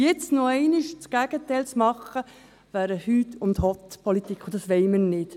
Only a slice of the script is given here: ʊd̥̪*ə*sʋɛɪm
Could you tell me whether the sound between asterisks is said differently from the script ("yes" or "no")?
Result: yes